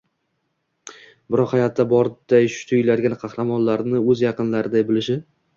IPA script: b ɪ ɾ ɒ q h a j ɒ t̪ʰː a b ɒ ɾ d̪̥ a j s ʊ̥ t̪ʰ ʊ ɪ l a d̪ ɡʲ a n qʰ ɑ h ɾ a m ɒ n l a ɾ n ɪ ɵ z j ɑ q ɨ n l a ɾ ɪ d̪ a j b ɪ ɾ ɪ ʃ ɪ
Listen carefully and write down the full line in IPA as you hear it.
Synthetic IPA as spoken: b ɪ ɾ ɒ q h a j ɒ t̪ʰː a b ɒ ɾ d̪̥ a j ʃ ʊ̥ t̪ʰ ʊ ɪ l a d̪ ɡʲ a n qʰ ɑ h ɾ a m ɒ n l a ɾ n ɪ ɵ z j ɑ q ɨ n l a ɾ ɪ d̪ a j b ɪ l ɪ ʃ ɪ